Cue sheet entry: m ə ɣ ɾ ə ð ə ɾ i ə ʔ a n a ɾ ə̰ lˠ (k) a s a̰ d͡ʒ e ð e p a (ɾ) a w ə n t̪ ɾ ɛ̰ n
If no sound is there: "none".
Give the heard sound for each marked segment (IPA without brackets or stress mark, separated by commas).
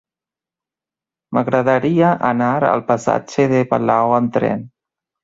p, l